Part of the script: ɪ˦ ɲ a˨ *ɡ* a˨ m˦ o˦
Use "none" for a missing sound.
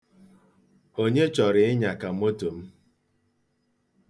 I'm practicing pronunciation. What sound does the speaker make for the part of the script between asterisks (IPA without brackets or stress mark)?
k